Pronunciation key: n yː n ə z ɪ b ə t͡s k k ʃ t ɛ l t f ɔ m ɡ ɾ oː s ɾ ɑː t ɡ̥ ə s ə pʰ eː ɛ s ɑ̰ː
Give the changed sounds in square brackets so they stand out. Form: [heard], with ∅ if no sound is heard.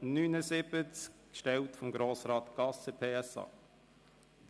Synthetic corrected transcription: n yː n ə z ɪ b ə t͡s k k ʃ t ɛ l t f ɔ m ɡ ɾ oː s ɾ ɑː t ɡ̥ [ɑ] s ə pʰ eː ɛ s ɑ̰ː